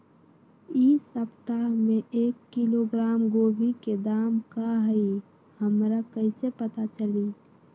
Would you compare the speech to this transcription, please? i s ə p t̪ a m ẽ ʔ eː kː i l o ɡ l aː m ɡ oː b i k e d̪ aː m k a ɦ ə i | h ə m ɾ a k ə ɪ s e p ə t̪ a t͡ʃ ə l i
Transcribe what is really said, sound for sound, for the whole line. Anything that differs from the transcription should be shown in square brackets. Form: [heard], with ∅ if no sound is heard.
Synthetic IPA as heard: i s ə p t̪ a m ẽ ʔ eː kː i l o ɡ [ɾ] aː m ɡ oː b i k e d̪ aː m k a ɦ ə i | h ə m ɾ a k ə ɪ s e p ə t̪ a t͡ʃ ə l i